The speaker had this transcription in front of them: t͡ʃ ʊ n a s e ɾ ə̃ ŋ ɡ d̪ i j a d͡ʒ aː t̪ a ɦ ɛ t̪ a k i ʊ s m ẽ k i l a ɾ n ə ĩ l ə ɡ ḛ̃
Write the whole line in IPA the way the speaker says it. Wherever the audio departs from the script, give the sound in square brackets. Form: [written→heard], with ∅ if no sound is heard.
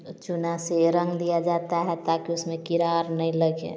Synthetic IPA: t͡ʃ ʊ n a s e ɾ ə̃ ŋ ɡ d̪ i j a d͡ʒ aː t̪ a ɦ ɛ t̪ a k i ʊ s m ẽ k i [l→ɾ] a ɾ n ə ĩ l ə ɡ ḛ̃